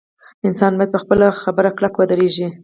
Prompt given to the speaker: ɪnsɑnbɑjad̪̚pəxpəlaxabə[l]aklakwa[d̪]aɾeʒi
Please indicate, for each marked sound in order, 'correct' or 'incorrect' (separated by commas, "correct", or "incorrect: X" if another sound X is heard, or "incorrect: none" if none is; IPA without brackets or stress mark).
incorrect: ɾ, correct